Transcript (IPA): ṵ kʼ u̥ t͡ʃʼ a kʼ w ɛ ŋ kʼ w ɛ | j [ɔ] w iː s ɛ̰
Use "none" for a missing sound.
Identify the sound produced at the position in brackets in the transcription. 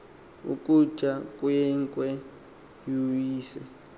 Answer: u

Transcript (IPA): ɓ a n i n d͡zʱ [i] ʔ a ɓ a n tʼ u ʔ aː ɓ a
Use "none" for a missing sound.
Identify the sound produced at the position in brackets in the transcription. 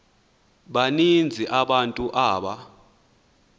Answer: i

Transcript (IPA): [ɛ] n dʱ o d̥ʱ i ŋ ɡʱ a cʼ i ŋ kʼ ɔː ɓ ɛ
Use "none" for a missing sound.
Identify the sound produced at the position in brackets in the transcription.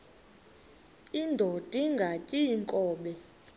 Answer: i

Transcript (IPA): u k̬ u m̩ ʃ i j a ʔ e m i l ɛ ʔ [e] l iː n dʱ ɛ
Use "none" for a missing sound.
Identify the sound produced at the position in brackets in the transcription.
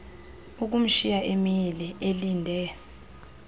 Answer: e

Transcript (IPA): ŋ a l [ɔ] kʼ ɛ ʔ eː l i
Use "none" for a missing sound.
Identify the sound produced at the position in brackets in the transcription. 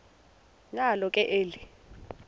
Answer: ɔ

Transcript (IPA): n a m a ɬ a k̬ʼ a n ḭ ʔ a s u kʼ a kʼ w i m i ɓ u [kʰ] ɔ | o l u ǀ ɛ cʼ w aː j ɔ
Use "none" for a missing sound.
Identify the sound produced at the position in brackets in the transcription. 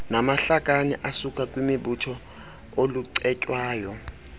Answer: tʰ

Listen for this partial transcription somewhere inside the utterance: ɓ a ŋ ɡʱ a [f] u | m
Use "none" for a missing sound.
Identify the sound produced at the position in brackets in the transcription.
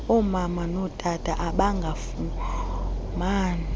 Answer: f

